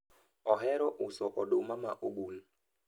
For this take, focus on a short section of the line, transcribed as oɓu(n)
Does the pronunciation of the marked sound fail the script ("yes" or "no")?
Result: no